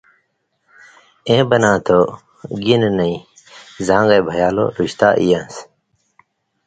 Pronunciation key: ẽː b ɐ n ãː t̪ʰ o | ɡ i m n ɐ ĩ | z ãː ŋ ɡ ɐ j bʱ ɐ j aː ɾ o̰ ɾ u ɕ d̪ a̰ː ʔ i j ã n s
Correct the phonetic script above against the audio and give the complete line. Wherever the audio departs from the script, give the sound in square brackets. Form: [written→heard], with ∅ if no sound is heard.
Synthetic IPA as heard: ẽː b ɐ n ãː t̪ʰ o | ɡ i [m→n] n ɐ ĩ | z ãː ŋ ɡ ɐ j bʱ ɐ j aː [ɾ→l] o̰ ɾ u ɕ [d̪→t̪] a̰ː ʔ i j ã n s